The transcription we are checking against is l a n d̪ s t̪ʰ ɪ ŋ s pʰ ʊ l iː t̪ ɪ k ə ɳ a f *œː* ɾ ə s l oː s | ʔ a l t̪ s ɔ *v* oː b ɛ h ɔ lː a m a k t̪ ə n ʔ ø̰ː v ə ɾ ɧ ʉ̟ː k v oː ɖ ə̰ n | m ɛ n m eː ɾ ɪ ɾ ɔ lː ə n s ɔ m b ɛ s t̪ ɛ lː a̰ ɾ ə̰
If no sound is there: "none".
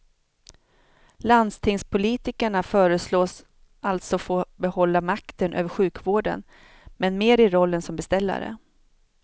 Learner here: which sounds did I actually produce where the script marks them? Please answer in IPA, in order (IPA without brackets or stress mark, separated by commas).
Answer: œː, f